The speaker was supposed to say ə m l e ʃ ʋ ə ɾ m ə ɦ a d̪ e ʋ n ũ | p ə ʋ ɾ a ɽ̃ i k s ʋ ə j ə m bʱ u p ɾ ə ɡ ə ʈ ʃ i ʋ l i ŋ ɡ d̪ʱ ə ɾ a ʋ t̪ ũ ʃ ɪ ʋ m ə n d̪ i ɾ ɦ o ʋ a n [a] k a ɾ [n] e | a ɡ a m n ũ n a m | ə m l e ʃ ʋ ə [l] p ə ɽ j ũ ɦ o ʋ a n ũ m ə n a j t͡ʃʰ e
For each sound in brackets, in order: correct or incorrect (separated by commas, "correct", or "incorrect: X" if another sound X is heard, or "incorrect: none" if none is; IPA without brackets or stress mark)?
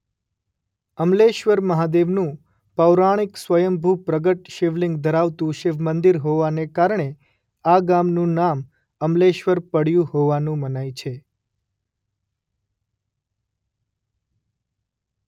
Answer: incorrect: e, incorrect: ɳ, incorrect: ɾ